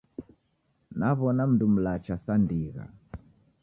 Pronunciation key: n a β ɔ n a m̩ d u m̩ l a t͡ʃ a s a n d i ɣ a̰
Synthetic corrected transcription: n a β ɔ n a m̩ d u m̩ l a t͡ʃ a s a n d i ɣ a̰